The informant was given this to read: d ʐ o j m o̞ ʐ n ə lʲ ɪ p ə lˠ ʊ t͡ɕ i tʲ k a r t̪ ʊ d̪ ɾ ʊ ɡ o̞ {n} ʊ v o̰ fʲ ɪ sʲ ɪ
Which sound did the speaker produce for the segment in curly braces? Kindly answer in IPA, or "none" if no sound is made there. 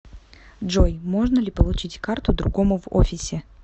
m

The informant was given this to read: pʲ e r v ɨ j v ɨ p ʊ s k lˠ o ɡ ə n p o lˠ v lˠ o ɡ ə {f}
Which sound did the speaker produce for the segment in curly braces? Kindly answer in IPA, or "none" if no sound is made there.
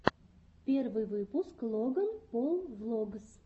s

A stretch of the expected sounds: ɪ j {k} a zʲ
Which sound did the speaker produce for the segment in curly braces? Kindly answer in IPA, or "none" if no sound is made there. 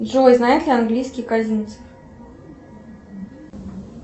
k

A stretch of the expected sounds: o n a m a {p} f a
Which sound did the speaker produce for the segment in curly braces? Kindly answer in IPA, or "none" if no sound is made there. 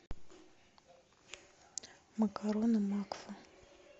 k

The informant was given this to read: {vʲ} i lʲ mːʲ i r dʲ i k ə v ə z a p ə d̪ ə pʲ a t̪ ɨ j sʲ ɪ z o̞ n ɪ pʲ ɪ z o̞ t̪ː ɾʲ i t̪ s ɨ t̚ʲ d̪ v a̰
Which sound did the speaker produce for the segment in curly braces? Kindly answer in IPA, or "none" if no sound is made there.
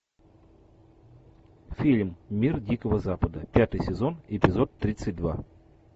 fʲ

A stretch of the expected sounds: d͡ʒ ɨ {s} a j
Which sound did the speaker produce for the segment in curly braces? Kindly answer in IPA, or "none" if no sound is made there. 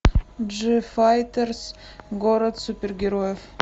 f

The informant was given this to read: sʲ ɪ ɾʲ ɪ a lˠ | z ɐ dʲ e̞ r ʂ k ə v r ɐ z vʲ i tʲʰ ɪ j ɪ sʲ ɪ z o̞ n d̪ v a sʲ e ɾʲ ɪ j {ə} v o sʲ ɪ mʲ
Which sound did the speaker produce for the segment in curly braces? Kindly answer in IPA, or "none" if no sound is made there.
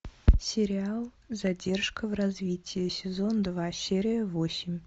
ə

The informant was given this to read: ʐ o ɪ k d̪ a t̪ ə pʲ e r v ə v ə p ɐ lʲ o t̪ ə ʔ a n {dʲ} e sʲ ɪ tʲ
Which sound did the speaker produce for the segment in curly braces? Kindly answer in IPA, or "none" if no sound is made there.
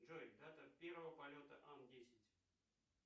dʲ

